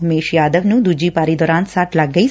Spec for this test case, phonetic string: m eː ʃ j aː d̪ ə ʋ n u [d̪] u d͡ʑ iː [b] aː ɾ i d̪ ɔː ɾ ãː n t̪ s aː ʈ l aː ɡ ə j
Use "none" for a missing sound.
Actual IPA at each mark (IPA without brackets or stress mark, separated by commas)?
d̪, p